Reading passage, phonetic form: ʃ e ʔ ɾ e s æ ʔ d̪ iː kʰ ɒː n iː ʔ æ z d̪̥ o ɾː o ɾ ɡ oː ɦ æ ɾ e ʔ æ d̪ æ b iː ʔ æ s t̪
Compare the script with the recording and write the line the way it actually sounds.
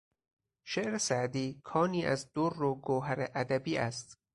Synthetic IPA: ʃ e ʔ ɾ e s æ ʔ d̪ iː kʰ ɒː n iː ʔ æ z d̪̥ o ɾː o ɡ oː ɦ æ ɾ e ʔ æ d̪ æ b iː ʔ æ s t̪